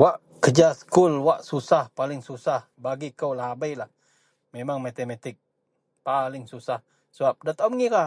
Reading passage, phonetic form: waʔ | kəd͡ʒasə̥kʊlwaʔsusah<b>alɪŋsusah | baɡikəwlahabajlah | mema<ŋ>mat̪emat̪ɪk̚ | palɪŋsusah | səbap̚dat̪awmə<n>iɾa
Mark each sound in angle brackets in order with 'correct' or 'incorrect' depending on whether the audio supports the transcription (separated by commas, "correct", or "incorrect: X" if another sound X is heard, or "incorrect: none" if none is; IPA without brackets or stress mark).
incorrect: p, correct, incorrect: ŋ